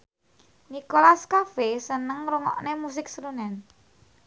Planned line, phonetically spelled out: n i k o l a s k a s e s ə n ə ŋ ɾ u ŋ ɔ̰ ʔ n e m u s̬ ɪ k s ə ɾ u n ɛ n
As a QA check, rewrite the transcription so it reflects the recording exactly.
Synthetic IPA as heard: n i k o l a s k a f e s ə n ə ŋ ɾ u ŋ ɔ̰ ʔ n e m u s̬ ɪ k s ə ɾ u n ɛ n